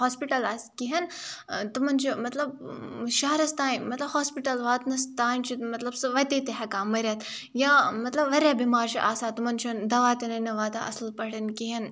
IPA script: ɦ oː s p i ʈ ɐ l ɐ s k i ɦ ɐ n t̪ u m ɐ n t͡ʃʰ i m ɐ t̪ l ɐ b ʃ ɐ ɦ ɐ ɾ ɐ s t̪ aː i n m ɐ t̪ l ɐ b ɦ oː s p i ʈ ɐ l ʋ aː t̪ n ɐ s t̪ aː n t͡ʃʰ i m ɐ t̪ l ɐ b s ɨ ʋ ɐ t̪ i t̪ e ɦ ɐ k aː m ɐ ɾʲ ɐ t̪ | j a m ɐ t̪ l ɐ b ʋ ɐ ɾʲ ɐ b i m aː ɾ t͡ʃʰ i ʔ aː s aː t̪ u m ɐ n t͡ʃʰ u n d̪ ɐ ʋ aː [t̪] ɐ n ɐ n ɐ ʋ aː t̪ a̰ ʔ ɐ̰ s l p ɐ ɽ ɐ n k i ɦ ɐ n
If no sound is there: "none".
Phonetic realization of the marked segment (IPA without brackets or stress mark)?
t̪